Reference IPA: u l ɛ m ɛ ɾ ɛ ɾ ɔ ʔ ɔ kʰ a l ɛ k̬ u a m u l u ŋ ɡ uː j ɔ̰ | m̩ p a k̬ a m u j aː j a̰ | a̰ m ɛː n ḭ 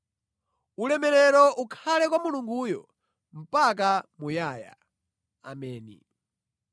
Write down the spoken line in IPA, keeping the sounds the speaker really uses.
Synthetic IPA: u l ɛ m ɛ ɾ ɛ ɾ ɔ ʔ u kʰ a l ɛ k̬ w a m u l u ŋ ɡ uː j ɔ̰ | m̩ p a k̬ a m u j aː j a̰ | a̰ m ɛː n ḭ